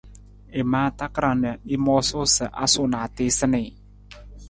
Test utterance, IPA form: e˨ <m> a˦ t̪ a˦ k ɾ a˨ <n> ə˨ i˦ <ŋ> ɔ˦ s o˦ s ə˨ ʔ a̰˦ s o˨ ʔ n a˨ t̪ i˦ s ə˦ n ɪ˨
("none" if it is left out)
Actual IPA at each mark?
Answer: m, n, m

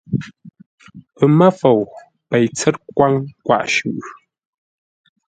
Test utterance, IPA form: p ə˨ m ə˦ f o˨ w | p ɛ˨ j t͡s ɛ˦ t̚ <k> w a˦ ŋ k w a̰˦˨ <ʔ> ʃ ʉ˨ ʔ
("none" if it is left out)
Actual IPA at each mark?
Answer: k, ʔ

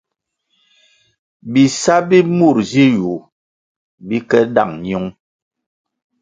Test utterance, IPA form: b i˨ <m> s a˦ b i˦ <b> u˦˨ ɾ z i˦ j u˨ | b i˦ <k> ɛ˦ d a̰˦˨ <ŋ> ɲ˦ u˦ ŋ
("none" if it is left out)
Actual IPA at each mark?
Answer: none, m, k, ŋ

